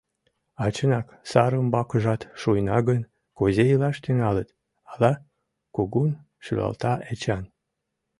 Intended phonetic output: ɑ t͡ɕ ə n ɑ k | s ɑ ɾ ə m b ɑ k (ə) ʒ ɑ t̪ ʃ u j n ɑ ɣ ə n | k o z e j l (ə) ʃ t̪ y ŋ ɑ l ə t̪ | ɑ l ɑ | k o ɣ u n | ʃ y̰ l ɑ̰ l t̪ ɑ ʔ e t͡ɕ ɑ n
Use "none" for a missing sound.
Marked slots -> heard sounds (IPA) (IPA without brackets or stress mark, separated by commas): ə, ɑ